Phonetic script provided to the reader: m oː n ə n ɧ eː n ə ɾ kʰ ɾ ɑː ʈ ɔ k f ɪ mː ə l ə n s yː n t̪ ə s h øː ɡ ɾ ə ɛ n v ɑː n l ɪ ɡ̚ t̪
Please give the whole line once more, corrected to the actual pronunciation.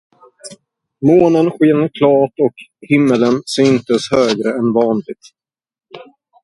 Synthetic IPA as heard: m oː n ə n ɧ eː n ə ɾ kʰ l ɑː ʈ ɔ k h ɪ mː ə l ə n s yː n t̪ ə s h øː ɡ ɾ ə ɛ n v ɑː n l ɪ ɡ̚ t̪